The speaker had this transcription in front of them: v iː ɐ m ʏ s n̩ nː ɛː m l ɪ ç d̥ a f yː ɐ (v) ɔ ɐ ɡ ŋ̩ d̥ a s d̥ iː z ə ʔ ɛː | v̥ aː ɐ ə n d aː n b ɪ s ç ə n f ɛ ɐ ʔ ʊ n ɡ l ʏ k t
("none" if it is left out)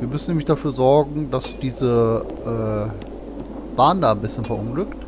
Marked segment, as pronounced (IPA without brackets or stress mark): z